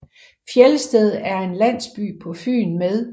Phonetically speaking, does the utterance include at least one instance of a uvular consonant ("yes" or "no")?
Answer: no